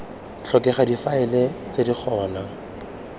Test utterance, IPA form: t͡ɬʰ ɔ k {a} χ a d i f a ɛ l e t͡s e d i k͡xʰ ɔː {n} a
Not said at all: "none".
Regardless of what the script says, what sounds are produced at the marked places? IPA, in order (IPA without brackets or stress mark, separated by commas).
ɛ, n